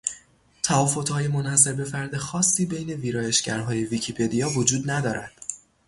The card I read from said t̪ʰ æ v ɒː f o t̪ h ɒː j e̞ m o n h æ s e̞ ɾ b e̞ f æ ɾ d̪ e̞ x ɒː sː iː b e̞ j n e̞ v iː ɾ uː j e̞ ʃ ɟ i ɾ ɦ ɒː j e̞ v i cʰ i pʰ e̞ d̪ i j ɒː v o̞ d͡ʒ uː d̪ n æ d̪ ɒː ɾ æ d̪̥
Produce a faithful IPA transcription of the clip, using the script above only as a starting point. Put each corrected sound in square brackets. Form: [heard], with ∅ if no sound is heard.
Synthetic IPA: t̪ʰ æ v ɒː f o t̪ h ɒː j e̞ m o n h æ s e̞ ɾ b e̞ f æ ɾ d̪ e̞ x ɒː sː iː b e̞ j n e̞ v iː ɾ [ɒː] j e̞ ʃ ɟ [æ] ɾ ɦ ɒː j e̞ v i cʰ i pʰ e̞ d̪ i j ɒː v o̞ d͡ʒ uː d̪ n æ d̪ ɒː ɾ æ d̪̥